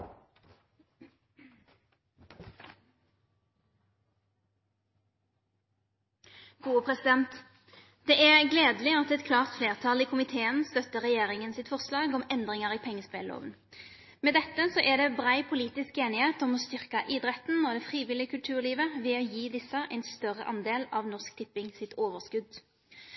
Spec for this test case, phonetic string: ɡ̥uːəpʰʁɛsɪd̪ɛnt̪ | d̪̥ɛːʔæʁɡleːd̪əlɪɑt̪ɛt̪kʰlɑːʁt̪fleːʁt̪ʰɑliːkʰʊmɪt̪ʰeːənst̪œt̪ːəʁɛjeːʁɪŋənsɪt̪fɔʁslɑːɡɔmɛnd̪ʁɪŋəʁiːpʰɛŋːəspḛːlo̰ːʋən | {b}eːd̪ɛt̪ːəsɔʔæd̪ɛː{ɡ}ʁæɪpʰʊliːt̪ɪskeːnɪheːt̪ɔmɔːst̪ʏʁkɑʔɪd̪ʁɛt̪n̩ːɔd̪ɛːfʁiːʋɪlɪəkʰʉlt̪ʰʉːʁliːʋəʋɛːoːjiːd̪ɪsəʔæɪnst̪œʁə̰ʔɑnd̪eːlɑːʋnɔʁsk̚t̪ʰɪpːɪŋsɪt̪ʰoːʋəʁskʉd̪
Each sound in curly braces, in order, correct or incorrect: incorrect, incorrect

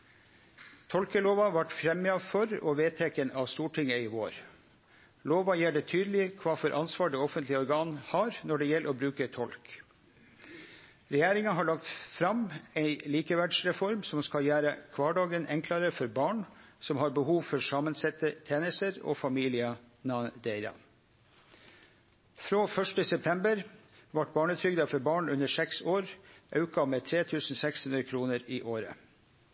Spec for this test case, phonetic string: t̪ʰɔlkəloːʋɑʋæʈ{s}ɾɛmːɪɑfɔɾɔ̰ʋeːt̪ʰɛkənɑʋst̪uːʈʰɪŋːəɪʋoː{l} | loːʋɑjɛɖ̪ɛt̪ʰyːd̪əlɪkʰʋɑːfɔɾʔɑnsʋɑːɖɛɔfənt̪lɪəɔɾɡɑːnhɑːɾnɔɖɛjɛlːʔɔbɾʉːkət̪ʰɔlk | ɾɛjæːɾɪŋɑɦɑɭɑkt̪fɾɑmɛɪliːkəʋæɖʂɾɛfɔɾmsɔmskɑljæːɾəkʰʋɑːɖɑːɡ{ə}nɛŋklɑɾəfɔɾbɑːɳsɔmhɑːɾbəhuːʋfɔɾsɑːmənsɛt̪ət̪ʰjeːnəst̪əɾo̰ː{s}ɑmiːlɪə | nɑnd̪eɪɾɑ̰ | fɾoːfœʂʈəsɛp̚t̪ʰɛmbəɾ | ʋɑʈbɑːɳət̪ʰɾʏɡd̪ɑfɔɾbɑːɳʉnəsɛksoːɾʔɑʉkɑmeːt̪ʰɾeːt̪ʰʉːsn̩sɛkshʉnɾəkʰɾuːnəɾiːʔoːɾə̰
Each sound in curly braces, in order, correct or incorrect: incorrect, incorrect, correct, incorrect

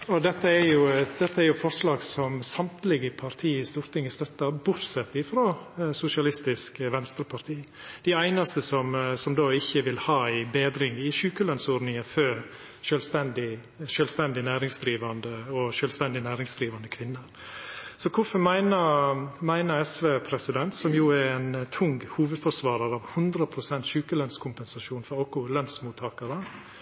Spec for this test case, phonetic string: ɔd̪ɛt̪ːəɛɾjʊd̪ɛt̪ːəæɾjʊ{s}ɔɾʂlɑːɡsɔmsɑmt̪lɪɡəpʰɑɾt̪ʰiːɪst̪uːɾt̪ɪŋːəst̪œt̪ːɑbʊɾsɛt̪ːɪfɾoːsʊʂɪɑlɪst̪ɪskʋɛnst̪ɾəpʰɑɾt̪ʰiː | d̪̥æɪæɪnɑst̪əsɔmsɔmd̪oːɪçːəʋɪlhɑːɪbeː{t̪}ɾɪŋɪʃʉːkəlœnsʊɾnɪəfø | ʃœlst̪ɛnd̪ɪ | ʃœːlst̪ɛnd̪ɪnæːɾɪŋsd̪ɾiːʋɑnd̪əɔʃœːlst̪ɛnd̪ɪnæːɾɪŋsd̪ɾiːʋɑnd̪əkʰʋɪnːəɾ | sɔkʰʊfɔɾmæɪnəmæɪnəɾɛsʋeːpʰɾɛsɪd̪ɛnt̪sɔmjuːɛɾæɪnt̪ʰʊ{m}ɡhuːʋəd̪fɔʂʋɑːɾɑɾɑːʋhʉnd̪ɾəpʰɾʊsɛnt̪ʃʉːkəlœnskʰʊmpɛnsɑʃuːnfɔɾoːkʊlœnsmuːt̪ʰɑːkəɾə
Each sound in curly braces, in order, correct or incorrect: incorrect, incorrect, incorrect

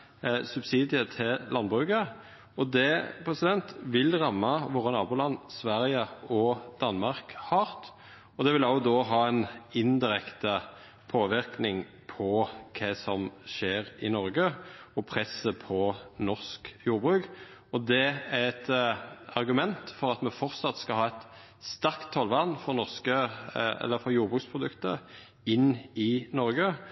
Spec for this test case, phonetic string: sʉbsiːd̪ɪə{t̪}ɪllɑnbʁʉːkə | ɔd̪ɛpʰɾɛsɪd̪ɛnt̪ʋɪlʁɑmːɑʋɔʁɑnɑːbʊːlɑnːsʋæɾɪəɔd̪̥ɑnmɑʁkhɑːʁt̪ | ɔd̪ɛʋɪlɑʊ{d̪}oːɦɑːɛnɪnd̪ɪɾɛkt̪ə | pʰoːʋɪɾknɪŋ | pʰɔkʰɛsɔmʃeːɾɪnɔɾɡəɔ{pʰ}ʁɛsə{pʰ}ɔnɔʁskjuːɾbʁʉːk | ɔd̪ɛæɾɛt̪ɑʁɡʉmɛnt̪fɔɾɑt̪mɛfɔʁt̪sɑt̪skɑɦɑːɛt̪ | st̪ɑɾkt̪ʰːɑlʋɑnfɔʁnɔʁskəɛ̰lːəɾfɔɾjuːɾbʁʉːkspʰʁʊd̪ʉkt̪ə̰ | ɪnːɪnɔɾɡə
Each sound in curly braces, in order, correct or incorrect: incorrect, correct, correct, correct

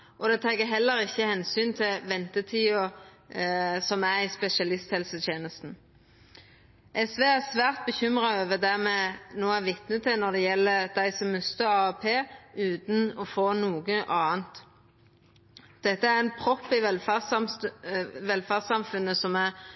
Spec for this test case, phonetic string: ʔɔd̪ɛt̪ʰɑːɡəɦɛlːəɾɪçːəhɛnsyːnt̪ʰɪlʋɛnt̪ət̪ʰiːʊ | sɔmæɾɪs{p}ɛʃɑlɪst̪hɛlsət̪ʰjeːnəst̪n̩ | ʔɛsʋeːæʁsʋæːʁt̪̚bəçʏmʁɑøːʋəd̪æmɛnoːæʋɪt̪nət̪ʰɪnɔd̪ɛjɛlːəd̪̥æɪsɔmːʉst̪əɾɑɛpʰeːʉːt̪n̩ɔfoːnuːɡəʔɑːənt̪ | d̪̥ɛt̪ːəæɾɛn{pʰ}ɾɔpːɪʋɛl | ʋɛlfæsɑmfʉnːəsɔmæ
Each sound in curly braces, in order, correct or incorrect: correct, correct

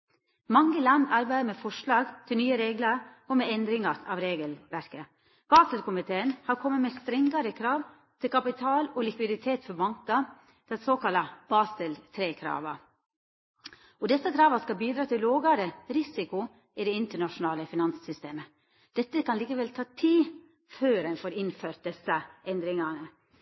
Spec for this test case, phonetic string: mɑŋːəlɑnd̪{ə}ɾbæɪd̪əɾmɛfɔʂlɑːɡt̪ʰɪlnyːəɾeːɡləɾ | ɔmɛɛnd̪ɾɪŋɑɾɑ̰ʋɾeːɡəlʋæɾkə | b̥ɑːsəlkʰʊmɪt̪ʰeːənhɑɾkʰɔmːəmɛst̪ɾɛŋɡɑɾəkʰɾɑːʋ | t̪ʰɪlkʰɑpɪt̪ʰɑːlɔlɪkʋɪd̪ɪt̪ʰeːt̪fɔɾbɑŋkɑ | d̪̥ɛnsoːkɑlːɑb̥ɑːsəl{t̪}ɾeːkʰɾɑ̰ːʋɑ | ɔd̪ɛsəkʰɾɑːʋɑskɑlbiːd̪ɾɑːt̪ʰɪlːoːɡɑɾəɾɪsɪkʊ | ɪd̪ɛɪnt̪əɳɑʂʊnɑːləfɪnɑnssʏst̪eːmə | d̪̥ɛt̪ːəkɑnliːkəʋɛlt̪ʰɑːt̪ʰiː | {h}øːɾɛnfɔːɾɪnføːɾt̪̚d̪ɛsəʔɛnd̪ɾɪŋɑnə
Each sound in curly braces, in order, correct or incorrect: incorrect, incorrect, incorrect

